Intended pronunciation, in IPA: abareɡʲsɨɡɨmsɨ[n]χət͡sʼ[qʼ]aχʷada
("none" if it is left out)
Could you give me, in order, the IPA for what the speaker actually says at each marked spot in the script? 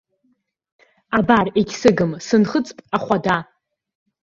n, pʼ

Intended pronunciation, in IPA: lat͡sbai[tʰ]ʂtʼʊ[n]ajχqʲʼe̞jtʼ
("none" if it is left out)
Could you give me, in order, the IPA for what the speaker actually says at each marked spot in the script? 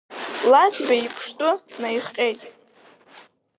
pʰ, n

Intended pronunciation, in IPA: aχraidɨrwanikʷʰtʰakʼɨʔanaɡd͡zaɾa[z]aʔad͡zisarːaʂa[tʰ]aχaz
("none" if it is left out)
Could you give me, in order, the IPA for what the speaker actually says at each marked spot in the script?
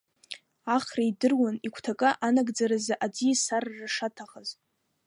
z, tʰ

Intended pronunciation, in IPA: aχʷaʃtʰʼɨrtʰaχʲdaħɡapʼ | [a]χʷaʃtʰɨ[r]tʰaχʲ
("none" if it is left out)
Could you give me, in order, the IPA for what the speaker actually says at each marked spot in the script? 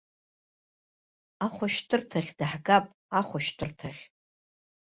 a, r

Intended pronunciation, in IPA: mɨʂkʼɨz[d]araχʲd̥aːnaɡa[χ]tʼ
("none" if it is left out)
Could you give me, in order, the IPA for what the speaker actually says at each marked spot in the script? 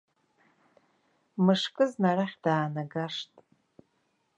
n, ʂ

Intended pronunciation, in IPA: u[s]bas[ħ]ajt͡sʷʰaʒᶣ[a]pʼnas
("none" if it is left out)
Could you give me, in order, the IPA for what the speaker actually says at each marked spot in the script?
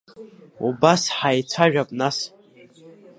none, ħ, a

